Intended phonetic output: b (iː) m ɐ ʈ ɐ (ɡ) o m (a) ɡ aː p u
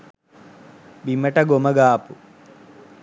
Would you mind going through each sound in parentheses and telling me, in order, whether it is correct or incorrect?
incorrect, correct, incorrect

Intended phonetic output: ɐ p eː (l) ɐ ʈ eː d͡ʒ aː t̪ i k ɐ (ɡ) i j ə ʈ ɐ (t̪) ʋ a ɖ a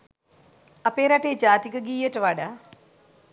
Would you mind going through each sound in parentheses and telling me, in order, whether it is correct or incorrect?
incorrect, correct, incorrect

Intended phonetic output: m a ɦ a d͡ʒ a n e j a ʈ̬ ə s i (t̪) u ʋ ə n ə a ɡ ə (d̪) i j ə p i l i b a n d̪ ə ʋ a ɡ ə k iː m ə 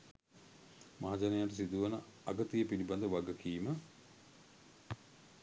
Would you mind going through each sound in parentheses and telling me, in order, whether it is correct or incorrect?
incorrect, incorrect

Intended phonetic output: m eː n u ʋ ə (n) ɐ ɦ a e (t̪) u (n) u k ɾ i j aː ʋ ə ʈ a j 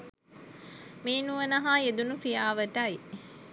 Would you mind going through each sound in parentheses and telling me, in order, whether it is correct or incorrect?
correct, incorrect, correct

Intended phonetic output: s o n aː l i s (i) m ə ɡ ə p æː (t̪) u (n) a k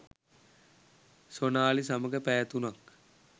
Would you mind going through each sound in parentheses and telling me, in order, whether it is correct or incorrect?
incorrect, correct, correct

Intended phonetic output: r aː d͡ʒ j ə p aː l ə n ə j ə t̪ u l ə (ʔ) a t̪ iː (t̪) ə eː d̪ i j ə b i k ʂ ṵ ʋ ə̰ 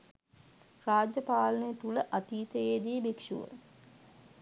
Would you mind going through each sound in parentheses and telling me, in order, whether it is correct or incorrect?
correct, correct

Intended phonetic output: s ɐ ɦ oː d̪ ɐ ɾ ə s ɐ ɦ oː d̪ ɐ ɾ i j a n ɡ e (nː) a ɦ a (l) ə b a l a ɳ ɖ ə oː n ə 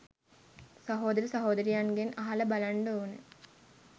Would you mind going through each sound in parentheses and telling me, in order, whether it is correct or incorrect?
incorrect, correct

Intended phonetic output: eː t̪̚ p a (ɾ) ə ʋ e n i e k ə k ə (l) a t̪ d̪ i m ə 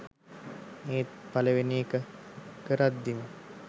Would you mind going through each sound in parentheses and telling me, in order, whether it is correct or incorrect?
incorrect, incorrect

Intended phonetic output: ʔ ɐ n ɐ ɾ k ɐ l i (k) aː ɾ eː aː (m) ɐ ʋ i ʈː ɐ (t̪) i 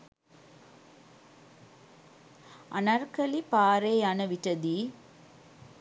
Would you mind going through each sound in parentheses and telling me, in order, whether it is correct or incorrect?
incorrect, incorrect, incorrect

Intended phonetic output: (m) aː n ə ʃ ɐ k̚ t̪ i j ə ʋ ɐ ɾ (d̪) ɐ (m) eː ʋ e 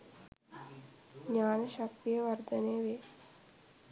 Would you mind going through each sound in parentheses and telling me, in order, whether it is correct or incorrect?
incorrect, correct, incorrect

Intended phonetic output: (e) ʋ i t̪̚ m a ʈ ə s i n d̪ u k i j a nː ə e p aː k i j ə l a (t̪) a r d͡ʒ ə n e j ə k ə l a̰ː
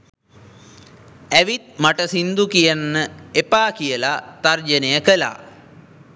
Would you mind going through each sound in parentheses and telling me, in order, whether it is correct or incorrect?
incorrect, correct

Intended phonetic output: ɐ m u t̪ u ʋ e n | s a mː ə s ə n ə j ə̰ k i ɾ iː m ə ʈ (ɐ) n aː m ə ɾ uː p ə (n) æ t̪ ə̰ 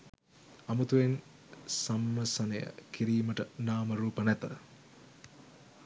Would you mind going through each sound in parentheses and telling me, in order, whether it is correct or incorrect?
incorrect, correct

